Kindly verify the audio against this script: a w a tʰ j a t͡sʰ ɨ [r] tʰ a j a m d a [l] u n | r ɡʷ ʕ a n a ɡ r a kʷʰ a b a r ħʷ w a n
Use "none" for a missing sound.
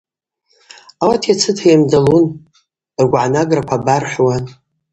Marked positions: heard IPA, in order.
none, l

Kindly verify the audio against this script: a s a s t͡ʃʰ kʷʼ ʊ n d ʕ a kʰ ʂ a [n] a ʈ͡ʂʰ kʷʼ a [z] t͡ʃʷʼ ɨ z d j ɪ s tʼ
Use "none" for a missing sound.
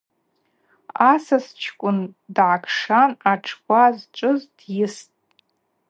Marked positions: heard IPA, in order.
n, z

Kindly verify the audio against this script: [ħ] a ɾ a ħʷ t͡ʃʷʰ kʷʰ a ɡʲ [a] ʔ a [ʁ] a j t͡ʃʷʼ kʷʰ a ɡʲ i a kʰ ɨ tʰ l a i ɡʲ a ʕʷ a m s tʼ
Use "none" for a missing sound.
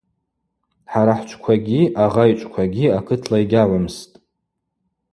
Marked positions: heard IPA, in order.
ħ, i, ʁ

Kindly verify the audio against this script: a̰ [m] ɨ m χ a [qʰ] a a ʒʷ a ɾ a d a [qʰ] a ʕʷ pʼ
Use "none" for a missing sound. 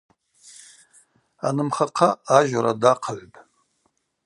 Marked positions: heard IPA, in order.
n, qʰ, qʰ

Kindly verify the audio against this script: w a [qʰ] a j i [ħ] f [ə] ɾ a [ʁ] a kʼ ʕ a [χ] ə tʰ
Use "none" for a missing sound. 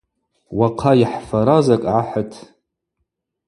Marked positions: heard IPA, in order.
qʰ, ħ, a, z, ħ

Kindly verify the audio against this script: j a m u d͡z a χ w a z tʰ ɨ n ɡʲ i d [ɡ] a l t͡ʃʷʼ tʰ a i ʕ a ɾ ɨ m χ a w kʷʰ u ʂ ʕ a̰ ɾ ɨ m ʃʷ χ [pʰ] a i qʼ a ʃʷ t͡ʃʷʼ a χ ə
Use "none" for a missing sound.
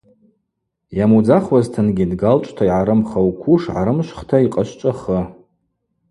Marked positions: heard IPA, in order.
ɡ, tʰ

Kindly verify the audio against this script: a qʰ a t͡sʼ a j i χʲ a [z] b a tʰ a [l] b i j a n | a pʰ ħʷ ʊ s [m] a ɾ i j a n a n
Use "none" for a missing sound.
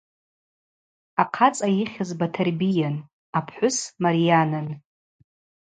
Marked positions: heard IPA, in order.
z, r, m

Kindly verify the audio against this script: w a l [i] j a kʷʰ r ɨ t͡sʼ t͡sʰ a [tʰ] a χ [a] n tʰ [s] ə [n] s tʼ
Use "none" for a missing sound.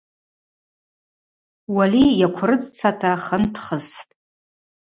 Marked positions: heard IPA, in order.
i, tʰ, ə, χ, none

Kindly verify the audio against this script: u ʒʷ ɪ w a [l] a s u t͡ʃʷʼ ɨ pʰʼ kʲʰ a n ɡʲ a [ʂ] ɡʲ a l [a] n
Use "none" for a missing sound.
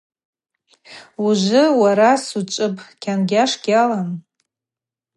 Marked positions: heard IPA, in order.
ɾ, ʂ, a

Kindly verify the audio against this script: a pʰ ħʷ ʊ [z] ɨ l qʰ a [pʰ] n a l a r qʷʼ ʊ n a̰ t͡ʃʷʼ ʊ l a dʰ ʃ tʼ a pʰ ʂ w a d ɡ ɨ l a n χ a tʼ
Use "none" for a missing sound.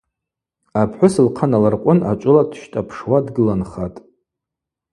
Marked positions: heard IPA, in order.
s, none

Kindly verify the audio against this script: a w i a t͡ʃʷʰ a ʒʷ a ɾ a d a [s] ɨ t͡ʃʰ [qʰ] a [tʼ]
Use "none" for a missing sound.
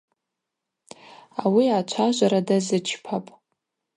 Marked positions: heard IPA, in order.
z, pʰ, pʼ

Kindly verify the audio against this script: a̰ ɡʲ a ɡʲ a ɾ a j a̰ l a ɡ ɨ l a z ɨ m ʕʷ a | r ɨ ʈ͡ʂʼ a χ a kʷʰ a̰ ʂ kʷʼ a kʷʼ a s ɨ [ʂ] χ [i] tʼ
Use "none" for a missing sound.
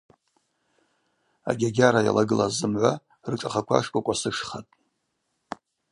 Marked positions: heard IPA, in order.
ʂ, a

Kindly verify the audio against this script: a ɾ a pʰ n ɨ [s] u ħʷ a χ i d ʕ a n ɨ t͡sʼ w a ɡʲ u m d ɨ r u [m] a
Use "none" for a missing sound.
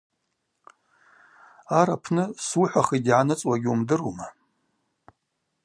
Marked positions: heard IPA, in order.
s, m

